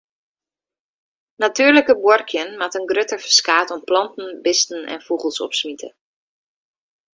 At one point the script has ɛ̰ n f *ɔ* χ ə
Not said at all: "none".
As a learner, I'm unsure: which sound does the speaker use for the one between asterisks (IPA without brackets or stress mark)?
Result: u